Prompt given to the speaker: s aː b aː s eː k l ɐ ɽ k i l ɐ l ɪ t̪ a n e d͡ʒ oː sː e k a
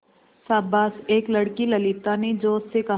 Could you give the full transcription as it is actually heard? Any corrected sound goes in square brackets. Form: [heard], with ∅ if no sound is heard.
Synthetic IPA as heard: s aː b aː s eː k l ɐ ɽ k i l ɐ l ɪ t̪ a n e d͡ʒ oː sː e k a